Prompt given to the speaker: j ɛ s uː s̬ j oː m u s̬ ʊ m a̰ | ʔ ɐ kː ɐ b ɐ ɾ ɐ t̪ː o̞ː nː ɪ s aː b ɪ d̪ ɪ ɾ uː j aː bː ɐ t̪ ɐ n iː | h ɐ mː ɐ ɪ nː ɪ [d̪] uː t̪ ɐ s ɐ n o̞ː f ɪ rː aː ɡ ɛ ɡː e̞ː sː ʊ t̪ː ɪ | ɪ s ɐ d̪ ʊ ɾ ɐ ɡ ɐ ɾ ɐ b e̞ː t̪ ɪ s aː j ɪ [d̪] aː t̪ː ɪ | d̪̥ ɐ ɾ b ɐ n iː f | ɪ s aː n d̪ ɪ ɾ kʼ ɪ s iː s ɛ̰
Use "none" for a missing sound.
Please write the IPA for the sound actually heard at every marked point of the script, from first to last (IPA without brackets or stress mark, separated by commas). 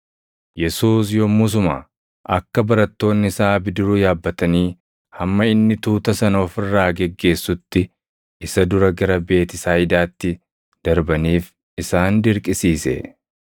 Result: t̪, d̪